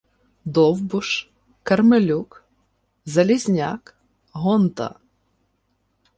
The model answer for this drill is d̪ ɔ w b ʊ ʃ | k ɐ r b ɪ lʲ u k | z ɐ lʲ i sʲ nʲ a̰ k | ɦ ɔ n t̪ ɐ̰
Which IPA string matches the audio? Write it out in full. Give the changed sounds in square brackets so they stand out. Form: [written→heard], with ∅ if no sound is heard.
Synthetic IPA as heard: d̪ ɔ w b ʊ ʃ | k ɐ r [b→m] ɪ lʲ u k | z ɐ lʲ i [sʲ→zʲ] nʲ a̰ k | ɦ ɔ n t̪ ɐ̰